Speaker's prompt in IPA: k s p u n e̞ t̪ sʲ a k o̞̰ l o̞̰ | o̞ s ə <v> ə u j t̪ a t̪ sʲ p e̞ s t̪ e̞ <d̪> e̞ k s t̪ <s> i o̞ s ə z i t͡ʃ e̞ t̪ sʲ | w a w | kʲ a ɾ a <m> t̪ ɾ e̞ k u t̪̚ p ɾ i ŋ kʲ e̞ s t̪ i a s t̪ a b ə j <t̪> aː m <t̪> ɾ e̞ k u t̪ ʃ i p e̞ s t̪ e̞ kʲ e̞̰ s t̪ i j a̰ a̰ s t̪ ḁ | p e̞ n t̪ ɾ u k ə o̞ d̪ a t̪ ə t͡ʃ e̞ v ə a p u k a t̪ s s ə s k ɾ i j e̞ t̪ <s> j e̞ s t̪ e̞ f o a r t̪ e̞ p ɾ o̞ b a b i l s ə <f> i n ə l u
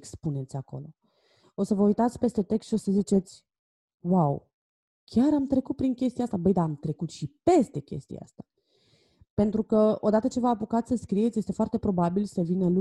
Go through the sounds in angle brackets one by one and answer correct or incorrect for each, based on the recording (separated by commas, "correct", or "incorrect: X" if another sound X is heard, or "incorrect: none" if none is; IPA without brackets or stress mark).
correct, incorrect: t̪, incorrect: ʃ, correct, incorrect: d̪, correct, correct, incorrect: v